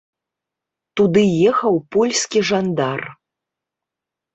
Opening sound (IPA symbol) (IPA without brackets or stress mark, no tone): t̪